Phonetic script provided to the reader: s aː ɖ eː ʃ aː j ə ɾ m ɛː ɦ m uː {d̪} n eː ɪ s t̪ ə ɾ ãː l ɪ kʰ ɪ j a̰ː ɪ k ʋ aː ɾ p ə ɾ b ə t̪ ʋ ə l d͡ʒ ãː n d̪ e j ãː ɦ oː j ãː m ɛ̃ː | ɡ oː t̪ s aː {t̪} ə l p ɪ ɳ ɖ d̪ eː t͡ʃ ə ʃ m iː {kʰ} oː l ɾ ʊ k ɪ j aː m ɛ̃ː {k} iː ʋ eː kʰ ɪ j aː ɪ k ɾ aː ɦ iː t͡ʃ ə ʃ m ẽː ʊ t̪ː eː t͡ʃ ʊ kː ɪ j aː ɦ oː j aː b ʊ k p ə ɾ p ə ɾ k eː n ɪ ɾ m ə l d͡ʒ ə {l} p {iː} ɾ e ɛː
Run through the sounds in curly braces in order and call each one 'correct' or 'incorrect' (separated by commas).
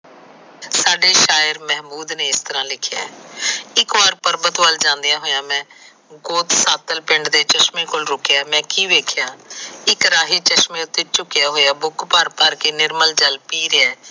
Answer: correct, correct, incorrect, correct, correct, correct